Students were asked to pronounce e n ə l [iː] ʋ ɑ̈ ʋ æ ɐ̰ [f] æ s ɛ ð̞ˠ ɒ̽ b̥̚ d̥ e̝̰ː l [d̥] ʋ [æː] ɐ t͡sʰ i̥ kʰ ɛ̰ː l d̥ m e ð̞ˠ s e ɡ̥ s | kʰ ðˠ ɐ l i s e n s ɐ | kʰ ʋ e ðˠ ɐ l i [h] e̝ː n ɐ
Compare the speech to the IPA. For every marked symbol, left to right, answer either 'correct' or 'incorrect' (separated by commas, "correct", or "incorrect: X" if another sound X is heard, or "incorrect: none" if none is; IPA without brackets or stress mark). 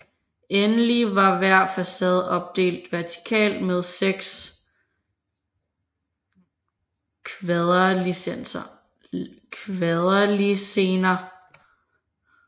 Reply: incorrect: i, correct, correct, incorrect: æ, incorrect: s